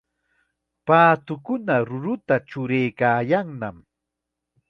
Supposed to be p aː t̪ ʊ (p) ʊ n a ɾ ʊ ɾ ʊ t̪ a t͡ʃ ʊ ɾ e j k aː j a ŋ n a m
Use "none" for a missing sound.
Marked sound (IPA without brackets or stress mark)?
k